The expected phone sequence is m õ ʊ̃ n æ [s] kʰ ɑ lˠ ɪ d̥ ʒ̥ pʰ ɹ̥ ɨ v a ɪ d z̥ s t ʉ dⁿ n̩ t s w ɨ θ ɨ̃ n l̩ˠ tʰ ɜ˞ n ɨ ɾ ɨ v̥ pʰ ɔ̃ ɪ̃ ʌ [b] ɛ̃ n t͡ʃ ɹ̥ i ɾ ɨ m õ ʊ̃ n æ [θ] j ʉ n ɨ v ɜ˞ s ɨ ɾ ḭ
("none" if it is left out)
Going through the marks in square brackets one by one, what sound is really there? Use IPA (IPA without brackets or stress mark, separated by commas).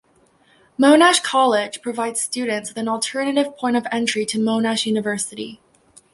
ʃ, v, ʃ